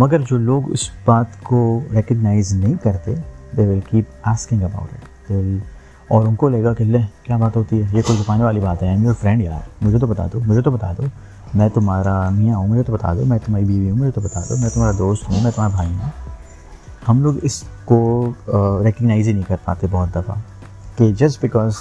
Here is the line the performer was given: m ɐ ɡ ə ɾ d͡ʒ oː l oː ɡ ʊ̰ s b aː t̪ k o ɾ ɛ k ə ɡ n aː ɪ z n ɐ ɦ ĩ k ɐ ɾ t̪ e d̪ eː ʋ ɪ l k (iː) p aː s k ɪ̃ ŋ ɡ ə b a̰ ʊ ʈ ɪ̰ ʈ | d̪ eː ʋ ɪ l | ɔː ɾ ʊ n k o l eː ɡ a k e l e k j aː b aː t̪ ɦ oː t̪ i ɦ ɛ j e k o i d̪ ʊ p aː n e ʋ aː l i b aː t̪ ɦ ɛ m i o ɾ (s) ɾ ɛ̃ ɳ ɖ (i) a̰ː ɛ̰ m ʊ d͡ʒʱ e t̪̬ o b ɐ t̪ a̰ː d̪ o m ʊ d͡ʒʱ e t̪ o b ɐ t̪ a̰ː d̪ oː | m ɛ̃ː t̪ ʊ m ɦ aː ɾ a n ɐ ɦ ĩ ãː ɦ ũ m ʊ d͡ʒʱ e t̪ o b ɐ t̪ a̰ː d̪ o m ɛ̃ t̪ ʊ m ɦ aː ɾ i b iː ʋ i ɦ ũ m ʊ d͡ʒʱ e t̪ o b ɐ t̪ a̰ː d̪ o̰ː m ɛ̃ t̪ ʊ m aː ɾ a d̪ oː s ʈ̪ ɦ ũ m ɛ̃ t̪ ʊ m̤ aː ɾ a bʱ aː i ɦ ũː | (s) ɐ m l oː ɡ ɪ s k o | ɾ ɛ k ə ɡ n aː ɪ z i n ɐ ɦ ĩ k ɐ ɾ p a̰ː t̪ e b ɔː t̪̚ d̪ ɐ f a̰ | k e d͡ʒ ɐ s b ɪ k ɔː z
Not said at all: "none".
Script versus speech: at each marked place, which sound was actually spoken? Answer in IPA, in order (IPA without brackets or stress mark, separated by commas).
iː, f, j, h